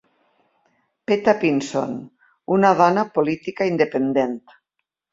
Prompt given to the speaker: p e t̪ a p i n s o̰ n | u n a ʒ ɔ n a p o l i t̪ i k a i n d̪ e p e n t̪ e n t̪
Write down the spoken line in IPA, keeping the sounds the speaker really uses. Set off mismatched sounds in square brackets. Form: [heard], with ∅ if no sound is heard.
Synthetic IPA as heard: p e t̪ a p i n s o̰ n | u n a [ð] ɔ n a p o l i t̪ i k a i n d̪ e p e n [d̪] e n t̪